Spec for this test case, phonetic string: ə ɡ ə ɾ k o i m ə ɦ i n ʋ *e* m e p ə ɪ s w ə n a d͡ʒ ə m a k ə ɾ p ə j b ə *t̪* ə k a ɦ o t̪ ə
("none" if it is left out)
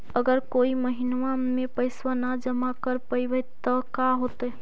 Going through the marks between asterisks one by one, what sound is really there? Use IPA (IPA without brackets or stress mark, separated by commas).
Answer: a, t̪